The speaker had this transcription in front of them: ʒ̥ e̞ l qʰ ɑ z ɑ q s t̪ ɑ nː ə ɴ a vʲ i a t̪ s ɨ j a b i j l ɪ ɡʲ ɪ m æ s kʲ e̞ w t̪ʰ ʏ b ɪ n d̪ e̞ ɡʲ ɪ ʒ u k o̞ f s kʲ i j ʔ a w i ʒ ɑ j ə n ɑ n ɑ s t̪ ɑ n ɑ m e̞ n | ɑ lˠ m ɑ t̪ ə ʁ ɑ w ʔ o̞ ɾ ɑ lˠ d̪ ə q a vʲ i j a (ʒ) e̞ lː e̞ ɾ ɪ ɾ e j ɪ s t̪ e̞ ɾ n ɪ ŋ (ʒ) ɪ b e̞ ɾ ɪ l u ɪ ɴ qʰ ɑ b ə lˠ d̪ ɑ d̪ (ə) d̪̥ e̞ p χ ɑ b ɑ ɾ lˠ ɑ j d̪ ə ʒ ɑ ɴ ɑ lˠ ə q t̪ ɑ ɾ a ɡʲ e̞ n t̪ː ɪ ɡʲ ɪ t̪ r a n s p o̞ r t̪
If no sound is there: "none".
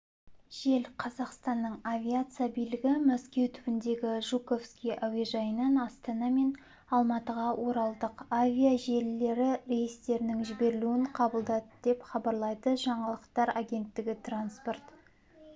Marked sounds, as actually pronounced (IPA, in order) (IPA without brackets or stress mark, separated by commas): ʒ, ʒ, ə